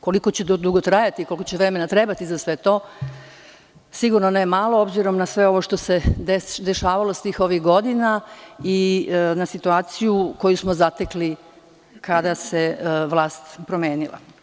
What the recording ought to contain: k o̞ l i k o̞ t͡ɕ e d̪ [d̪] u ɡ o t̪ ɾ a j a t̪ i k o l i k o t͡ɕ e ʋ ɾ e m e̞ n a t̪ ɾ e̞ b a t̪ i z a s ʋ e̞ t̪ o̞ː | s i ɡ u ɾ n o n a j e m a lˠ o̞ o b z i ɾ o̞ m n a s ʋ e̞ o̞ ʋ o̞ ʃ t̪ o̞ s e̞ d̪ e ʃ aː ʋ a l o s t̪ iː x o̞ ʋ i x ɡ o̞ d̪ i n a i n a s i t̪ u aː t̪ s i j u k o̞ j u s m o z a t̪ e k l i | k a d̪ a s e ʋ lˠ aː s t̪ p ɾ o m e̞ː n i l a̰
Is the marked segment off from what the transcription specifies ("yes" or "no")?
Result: no